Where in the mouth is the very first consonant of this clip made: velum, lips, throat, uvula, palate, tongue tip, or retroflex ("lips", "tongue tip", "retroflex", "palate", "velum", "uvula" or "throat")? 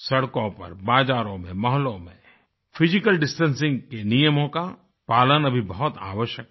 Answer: tongue tip